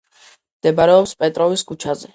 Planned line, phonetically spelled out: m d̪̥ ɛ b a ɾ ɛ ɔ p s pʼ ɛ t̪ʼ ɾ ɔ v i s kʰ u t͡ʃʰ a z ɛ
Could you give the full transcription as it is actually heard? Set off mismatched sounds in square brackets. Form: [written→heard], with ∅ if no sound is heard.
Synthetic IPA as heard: m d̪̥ ɛ b a ɾ ɛ ɔ p s pʼ ɛ t̪ʼ ɾ ɔ v i s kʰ u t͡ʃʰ a z ɛ